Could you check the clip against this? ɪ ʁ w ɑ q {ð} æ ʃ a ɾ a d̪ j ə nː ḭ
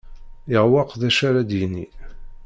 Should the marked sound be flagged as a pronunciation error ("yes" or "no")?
no